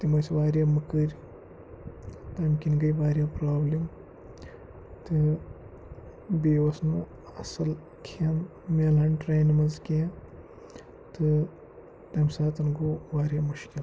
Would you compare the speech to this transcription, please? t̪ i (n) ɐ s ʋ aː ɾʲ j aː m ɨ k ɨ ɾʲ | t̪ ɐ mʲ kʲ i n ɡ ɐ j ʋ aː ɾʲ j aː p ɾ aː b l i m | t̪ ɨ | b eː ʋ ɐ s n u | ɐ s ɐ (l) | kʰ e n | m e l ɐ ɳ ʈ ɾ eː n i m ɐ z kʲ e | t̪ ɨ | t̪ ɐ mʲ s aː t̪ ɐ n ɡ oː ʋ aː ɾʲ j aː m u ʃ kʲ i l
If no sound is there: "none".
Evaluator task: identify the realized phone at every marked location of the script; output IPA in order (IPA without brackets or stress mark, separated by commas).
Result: m, l